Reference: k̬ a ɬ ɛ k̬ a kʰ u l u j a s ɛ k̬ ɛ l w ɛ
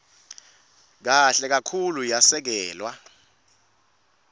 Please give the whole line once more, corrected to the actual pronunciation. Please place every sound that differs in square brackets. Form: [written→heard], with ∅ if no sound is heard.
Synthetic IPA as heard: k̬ a ɬ ɛ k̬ a kʰ u l u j a s ɛ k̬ [ɛ→ɛː] l w [ɛ→a]